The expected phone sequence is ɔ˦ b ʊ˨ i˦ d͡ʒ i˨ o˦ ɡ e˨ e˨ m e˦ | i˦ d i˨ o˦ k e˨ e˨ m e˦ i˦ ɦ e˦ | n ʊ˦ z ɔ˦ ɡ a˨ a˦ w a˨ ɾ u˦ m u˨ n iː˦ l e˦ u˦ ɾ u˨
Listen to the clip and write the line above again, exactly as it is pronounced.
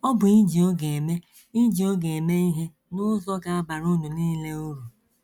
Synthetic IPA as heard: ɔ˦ b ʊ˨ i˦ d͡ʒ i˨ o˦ ɡ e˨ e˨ m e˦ | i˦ d͡ʒ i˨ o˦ ɡ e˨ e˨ m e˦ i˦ ɦ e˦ | n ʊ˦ z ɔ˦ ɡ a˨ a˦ b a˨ ɾ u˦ n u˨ n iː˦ l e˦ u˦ ɾ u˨